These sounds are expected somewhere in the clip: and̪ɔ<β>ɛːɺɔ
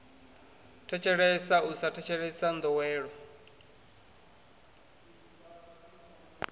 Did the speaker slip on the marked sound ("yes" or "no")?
yes